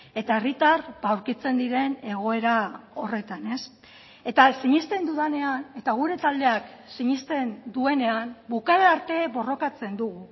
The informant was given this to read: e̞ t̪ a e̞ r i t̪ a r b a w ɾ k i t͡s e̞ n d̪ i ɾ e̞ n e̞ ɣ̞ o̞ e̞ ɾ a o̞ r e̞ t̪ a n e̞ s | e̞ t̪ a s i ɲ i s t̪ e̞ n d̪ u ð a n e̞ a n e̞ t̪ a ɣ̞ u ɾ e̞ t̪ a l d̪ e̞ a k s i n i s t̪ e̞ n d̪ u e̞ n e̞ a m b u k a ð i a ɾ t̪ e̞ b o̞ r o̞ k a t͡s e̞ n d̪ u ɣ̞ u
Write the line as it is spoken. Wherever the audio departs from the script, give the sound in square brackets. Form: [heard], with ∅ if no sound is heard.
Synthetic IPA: e̞ t̪ a e̞ r i t̪ a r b a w ɾ k i t͡s e̞ n d̪ i ɾ e̞ n e̞ ɣ̞ o̞ e̞ ɾ a o̞ r e̞ t̪ a n e̞ s | e̞ t̪ a s i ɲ i s t̪ e̞ n d̪ u ð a n e̞ a n e̞ t̪ a ɣ̞ u ɾ e̞ t̪ a l d̪ e̞ a k s i [ɲ] i s t̪ e̞ n d̪ u e̞ n e̞ a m b u k a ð [e] a ɾ t̪ e̞ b o̞ r o̞ k a t͡s e̞ n d̪ u ɣ̞ u